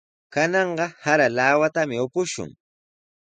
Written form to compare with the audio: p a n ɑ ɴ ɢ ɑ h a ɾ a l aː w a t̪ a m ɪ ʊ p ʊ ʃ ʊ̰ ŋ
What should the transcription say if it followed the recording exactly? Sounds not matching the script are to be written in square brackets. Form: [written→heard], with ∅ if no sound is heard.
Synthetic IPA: [p→k] a n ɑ ɴ ɢ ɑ h a ɾ a l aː w a t̪ a m ɪ ʊ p ʊ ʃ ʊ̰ ŋ